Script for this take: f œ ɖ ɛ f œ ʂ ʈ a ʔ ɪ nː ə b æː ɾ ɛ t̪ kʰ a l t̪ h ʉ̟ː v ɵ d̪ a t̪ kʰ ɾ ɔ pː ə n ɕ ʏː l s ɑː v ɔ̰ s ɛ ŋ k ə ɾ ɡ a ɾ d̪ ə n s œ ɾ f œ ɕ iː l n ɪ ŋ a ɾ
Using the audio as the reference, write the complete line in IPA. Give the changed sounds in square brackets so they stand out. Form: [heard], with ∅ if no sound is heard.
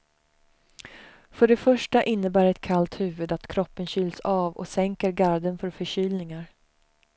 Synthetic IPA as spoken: f œ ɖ ɛ f œ ʂ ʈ a ʔ ɪ nː ə b æː ɾ ɛ t̪ kʰ a l t̪ h ʉ̟ː v ɵ d̪ a t̪ kʰ ɾ ɔ pː ə n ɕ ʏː l s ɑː v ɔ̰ s ɛ ŋ k ə ɾ ɡ a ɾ d̪ ə n [f] œ ɾ f œ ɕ [yː] l n ɪ ŋ a ɾ